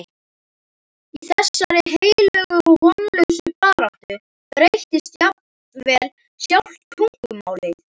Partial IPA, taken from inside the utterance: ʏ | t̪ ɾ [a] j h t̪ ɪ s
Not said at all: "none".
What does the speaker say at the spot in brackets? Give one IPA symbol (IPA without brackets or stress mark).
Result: e